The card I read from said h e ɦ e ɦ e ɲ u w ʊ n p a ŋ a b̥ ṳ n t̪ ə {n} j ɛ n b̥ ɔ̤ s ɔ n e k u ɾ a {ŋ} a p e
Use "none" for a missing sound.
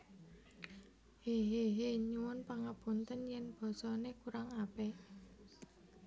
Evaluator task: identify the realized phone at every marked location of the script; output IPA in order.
n, ŋ

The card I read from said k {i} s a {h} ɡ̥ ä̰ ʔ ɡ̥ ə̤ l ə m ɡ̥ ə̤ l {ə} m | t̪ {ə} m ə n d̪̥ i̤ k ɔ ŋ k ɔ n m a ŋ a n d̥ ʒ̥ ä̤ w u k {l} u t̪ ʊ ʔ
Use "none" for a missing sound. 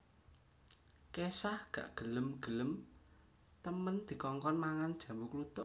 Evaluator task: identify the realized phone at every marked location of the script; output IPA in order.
e, h, ə, ə, l

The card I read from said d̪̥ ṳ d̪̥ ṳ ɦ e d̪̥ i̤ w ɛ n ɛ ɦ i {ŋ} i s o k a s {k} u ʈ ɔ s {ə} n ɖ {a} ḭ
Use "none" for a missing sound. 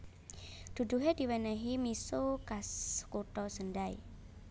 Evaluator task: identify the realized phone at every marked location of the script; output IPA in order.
m, k, ə, a

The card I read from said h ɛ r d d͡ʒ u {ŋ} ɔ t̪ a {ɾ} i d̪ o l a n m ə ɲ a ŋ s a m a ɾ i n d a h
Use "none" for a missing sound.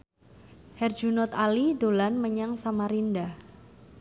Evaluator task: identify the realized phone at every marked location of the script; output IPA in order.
n, l

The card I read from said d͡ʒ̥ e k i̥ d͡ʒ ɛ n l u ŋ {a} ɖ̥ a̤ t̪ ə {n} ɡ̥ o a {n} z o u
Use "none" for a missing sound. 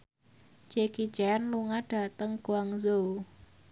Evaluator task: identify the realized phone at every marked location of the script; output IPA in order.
a, ŋ, ŋ

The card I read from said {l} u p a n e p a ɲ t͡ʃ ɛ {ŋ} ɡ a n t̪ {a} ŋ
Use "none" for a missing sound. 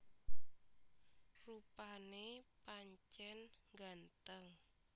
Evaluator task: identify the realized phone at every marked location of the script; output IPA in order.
r, n, ə

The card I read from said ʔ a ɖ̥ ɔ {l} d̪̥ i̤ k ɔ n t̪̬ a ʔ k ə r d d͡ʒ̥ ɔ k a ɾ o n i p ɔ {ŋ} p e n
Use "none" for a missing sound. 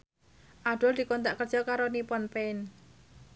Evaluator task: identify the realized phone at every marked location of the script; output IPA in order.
l, n

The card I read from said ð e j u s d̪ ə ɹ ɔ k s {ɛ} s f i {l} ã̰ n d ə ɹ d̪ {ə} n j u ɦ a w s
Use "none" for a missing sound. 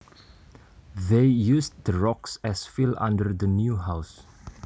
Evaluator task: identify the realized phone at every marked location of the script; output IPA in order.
ɛ, l, ə

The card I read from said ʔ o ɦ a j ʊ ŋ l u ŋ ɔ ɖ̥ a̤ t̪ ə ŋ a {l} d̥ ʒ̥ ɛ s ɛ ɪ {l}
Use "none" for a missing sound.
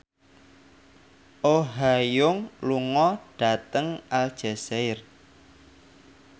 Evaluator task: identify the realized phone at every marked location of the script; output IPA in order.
l, r

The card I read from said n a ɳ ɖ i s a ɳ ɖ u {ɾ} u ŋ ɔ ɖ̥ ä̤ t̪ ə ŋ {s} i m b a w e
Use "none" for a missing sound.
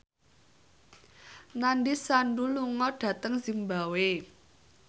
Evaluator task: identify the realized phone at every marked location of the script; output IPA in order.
l, z

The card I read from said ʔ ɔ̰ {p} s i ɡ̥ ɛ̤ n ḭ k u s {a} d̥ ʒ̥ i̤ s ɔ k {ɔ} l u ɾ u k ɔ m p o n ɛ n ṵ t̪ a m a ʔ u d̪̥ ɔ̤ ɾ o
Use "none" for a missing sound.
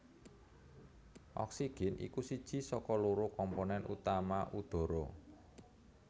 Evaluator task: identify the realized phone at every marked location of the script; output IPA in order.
k, i, ɔ

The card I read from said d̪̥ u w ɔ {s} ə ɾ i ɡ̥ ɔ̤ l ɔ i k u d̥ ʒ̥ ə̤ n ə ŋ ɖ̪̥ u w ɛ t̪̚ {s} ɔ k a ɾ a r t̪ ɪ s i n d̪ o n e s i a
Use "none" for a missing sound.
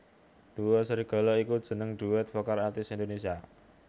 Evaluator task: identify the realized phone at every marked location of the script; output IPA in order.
s, f

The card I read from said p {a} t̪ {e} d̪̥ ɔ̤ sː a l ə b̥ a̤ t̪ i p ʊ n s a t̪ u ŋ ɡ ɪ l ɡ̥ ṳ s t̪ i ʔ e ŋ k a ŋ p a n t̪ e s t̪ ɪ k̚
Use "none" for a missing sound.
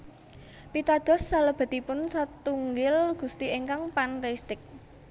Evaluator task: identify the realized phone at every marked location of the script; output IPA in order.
i, a

